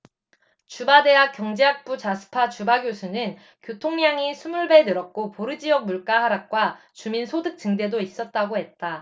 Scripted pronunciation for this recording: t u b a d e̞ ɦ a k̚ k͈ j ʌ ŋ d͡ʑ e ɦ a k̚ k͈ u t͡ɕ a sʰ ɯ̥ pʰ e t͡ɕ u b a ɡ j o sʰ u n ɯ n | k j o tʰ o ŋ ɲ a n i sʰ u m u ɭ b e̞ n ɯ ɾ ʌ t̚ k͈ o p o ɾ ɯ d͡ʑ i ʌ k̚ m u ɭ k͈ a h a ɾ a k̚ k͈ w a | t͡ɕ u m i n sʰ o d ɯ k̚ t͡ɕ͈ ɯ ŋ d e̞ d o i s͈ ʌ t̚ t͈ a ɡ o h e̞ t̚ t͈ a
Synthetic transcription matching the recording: t͡ɕ u b a d e̞ ɦ a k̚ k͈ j ʌ ŋ d͡ʑ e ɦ a k̚ p͈ u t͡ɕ a sʰ ɯ̥ pʰ a t͡ɕ u b a ɡ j o sʰ u n ɯ n | k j o tʰ o ŋ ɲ a ŋ i sʰ u m u ɭ b e̞ n ɯ ɾ ʌ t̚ k͈ o p o ɾ ɯ d͡ʑ i ʌ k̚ m u ɭ k͈ a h a ɾ a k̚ k͈ w a | t͡ɕ u m i n sʰ o d ɯ k̚ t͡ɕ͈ ɯ ŋ d e̞ d o i s͈ ʌ t̚ t͈ a ɡ o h e̞ t̚ t͈ a